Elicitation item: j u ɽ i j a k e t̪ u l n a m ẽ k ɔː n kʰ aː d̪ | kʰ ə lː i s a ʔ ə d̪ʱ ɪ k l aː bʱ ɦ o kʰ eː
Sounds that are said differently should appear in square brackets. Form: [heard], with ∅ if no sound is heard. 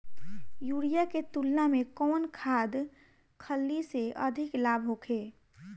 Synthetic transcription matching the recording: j u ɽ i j a k e t̪ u l n a m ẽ k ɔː n kʰ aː d̪ | kʰ ə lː i s [e] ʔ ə d̪ʱ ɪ k l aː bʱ ɦ o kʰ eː